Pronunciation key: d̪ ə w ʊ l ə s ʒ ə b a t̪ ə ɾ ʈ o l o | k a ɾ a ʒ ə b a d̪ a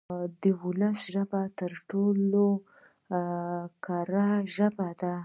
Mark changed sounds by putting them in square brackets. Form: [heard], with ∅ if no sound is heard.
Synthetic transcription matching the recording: d̪ ə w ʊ l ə s ʒ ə b a t̪ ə ɾ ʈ o l o | k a ɾ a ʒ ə b a d̪ a